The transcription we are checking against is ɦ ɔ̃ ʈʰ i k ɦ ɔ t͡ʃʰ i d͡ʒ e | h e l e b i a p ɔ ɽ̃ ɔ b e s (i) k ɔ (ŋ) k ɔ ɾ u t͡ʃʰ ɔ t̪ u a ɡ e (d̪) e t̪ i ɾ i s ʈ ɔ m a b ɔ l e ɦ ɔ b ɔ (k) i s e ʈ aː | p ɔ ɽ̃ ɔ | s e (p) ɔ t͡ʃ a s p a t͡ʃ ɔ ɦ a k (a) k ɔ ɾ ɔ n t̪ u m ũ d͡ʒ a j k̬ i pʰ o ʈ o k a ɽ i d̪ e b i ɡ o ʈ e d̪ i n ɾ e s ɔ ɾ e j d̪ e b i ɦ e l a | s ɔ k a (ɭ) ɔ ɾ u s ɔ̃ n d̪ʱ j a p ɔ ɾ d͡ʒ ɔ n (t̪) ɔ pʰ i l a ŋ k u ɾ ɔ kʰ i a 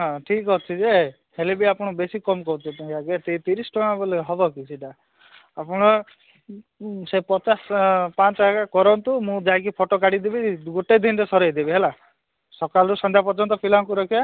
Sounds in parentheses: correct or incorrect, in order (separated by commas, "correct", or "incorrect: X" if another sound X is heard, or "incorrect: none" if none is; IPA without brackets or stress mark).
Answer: correct, incorrect: m, incorrect: t̪, correct, correct, correct, incorrect: l, correct